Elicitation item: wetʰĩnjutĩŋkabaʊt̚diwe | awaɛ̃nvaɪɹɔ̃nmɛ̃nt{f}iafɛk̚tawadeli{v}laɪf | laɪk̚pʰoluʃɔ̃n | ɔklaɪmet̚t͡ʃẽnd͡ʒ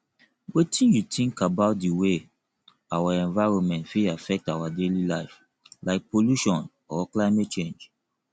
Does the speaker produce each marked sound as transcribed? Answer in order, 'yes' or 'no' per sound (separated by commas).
yes, no